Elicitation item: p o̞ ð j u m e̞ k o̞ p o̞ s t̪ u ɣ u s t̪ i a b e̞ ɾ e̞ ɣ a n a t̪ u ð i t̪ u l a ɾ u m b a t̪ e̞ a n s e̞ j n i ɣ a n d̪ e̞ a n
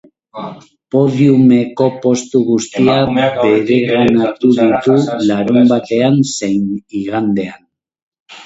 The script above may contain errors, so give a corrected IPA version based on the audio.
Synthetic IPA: p o̞ ð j u m e̞ k o̞ p o̞ s t̪ u ɣ u s t̪ i a b e̞ ɾ e̞ ɣ a n a t̪ u ð i t̪ u l a ɾ u m b a t̪ e̞ a n s e̞ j n i ɣ a n d̪ e̞ a n